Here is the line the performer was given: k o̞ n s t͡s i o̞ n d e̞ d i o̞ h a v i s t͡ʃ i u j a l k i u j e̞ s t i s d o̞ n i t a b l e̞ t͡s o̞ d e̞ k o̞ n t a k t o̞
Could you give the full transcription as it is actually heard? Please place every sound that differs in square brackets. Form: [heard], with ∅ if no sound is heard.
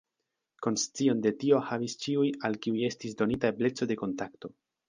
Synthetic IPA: k o̞ n s t͡s i o̞ n d e̞ [t] i o̞ h a v i s t͡ʃ i u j a l k i u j e̞ s t i s d o̞ n i t a b l e̞ t͡s o̞ d e̞ k o̞ n t a k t o̞